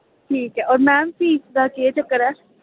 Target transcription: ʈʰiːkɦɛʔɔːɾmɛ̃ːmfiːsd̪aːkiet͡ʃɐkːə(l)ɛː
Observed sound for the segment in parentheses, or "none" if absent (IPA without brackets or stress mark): ɾ